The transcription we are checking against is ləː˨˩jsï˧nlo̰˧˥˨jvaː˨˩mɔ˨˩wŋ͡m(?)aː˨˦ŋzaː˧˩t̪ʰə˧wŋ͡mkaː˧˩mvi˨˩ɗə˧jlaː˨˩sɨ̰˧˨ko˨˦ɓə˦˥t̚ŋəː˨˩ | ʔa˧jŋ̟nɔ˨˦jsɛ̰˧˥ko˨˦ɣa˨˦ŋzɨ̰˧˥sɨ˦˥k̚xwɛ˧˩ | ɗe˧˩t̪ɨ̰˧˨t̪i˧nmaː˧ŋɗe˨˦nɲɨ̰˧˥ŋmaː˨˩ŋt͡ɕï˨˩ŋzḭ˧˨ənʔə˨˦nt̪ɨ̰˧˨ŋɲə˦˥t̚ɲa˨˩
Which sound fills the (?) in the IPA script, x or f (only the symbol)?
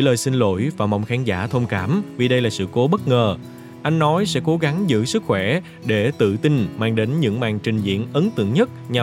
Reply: x